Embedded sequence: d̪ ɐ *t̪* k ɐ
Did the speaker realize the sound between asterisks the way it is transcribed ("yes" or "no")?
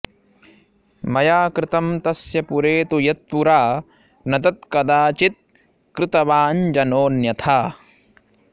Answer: yes